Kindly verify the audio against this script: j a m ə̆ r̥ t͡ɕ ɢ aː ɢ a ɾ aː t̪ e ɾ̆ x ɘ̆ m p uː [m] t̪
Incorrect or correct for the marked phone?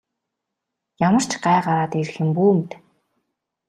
correct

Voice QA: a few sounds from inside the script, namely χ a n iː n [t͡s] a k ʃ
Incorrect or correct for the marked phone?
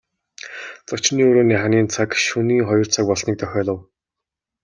incorrect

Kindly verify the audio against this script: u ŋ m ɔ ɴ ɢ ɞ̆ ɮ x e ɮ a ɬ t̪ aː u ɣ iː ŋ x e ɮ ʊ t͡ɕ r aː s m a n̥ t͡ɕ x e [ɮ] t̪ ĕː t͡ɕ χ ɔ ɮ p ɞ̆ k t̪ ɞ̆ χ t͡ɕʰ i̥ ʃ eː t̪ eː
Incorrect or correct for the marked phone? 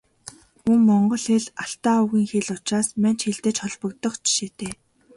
correct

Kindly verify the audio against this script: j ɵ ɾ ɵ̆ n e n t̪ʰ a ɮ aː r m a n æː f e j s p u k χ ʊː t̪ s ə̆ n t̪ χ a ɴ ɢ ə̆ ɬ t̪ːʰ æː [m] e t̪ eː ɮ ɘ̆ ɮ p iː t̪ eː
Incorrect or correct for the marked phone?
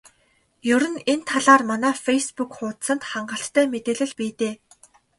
correct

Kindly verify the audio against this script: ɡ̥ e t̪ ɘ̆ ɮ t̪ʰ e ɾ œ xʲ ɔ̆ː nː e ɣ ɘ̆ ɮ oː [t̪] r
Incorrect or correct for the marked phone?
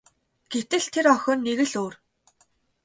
incorrect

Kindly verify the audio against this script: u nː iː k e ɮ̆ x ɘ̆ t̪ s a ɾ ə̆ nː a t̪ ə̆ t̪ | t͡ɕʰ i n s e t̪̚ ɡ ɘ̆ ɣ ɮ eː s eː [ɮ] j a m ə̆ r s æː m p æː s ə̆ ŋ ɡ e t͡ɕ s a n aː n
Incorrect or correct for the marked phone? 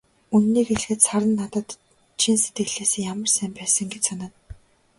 incorrect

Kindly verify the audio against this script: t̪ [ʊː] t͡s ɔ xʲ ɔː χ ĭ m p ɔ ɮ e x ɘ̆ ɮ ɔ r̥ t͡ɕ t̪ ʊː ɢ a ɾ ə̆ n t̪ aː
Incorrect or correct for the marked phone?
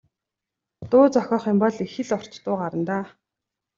correct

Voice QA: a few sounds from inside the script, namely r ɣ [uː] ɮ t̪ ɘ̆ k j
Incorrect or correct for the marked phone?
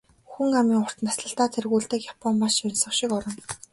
correct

